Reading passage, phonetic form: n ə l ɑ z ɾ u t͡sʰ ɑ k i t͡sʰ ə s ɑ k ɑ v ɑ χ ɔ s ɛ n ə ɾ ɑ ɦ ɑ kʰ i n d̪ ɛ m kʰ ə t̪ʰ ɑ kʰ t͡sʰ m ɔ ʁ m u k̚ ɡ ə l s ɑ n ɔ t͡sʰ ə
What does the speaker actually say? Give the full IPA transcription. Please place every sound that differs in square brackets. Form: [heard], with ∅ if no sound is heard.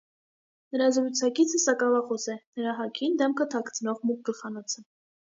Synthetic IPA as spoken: n ə [ɾ] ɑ z ɾ u t͡sʰ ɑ k i t͡sʰ ə s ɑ k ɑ v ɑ χ ɔ s ɛ n ə ɾ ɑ ɦ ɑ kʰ i n d̪ ɛ m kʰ ə t̪ʰ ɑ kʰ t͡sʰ [n] ɔ ʁ m u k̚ ɡ ə l [χ] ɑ n ɔ t͡sʰ ə